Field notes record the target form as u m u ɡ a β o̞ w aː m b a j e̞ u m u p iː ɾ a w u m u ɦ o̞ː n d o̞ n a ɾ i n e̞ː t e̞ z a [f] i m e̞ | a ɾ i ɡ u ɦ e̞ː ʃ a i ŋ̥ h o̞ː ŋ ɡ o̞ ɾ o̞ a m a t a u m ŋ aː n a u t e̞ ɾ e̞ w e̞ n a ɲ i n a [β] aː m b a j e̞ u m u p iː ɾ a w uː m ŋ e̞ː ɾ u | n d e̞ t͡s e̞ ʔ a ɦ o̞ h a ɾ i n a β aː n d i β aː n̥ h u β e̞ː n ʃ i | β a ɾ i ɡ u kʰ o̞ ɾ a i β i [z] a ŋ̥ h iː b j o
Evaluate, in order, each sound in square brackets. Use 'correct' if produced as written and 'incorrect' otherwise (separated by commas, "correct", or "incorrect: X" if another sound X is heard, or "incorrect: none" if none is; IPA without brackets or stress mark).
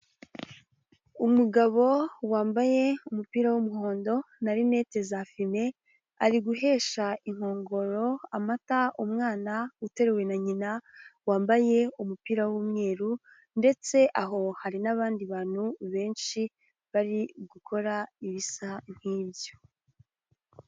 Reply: correct, incorrect: w, incorrect: s